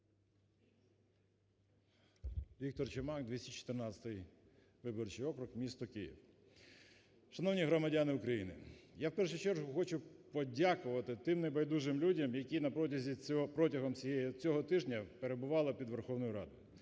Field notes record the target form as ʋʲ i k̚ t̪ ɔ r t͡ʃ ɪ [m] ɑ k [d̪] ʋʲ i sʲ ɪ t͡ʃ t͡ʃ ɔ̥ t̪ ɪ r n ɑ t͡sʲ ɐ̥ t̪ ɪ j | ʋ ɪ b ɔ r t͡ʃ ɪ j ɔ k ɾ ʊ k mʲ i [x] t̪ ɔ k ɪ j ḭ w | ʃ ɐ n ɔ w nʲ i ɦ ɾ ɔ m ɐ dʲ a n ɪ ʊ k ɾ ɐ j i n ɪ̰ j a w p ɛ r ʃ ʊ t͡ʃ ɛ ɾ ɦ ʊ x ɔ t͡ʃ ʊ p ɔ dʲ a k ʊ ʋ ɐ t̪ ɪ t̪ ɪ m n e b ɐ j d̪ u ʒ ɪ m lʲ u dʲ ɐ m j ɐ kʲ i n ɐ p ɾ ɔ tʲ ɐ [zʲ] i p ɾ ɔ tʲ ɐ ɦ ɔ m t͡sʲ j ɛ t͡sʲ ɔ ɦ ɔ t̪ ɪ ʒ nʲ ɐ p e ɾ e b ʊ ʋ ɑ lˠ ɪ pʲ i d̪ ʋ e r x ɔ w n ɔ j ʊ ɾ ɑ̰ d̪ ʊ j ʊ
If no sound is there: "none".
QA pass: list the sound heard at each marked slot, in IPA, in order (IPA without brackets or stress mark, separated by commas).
m, d̪, s, zʲ